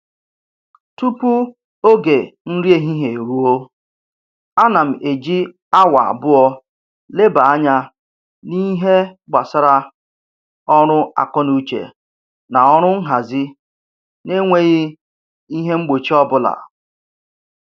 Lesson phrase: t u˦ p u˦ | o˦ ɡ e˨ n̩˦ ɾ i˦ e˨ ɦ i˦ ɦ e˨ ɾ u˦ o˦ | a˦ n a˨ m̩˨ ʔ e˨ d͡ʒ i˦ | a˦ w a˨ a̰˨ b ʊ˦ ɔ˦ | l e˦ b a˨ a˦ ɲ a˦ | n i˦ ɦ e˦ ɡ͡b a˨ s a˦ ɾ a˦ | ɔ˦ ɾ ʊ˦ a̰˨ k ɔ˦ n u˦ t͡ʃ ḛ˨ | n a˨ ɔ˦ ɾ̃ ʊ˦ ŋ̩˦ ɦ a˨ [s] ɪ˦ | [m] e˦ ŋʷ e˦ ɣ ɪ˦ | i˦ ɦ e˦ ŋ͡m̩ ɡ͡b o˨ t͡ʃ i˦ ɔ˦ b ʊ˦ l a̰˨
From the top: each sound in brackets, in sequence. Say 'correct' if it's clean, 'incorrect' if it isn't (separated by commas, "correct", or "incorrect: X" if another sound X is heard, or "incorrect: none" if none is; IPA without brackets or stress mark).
incorrect: z, incorrect: n